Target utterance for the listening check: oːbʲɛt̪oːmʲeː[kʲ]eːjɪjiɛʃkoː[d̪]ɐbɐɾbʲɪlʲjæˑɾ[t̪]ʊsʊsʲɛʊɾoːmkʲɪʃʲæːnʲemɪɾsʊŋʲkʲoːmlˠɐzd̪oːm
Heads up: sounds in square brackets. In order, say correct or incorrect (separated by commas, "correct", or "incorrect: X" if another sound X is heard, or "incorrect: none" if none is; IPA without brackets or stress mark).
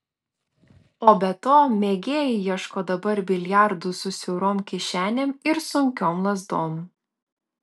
incorrect: ɡʲ, correct, incorrect: d̪